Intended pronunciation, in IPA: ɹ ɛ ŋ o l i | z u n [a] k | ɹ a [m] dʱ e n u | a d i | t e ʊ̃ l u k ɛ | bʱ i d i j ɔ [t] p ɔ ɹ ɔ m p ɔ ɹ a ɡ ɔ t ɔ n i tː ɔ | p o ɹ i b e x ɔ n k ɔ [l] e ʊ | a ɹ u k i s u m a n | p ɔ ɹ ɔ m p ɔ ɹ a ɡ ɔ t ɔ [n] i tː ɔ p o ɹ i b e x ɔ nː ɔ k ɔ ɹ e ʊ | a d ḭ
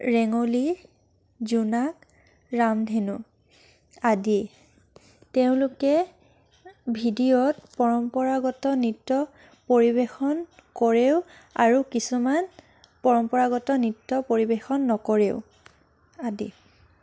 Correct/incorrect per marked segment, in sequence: correct, correct, correct, incorrect, correct

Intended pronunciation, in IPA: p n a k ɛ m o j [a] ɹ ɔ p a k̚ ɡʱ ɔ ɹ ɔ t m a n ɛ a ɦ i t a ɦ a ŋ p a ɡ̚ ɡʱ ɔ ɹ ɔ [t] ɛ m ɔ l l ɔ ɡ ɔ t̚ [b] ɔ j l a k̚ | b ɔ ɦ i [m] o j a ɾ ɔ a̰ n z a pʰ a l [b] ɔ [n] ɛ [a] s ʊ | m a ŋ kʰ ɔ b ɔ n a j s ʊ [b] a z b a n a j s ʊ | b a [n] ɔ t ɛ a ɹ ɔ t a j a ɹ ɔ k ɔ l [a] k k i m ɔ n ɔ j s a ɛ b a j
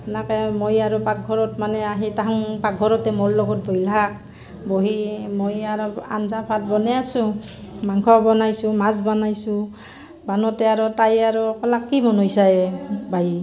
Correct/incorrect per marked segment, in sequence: correct, correct, correct, correct, correct, correct, correct, incorrect, correct, correct

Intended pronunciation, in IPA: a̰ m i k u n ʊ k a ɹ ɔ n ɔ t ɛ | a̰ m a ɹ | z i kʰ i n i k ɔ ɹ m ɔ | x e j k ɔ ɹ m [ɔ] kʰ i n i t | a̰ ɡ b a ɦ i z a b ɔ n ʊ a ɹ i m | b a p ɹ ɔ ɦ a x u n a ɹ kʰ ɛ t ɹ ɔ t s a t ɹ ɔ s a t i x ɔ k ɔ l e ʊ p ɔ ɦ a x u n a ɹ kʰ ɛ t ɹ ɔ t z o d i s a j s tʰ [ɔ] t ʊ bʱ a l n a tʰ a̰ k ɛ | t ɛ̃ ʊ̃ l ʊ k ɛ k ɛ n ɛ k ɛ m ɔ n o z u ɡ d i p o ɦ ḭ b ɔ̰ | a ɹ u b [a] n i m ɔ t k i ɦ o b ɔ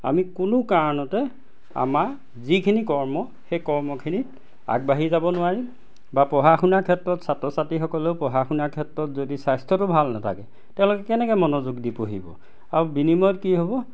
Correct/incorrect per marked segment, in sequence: correct, correct, incorrect

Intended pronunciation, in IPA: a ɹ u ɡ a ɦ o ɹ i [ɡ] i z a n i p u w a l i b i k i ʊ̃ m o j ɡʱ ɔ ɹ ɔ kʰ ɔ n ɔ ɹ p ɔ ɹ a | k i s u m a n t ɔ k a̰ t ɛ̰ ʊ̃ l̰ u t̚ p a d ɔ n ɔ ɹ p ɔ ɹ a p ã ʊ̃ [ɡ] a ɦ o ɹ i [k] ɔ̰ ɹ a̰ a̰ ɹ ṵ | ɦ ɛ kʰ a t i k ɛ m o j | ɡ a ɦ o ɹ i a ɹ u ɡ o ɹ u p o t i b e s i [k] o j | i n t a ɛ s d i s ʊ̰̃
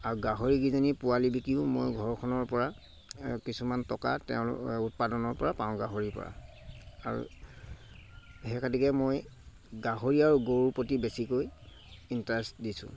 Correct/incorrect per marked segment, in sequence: correct, correct, incorrect, correct

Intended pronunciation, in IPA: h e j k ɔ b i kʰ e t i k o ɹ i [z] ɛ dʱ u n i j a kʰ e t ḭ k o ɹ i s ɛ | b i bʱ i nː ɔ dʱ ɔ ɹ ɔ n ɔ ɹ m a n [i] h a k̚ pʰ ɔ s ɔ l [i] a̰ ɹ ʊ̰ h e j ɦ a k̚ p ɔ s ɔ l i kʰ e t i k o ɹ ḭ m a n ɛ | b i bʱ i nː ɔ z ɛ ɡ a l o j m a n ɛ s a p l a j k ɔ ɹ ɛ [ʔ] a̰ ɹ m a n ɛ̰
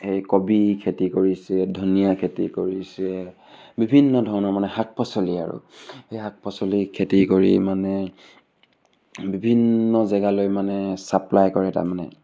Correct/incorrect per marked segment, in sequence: incorrect, incorrect, correct, incorrect

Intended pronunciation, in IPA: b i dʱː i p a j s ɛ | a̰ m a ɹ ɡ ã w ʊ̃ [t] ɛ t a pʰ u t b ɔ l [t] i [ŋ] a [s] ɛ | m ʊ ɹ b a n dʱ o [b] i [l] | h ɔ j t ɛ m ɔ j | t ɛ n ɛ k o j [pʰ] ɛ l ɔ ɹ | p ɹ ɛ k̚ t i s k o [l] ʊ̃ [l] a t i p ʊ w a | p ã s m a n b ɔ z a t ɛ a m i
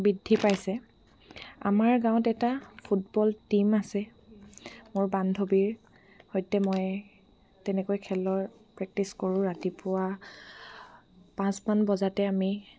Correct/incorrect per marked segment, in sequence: correct, correct, incorrect, correct, correct, incorrect, incorrect, incorrect, incorrect

